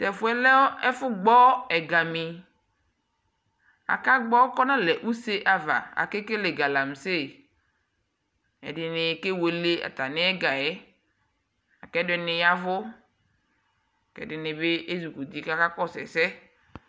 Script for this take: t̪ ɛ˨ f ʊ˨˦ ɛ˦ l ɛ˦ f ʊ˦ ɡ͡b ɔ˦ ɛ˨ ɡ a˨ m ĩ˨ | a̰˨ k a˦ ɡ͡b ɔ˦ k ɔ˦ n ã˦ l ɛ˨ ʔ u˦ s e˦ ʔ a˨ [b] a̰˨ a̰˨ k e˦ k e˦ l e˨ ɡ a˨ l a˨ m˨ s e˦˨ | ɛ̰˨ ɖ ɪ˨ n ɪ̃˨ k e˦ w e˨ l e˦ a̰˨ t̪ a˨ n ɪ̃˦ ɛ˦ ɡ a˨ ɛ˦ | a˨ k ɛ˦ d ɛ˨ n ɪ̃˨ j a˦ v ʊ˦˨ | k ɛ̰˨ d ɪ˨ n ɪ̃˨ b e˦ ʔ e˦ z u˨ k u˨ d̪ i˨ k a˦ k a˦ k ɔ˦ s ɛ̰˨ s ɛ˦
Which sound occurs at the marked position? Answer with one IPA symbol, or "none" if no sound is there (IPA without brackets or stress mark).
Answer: v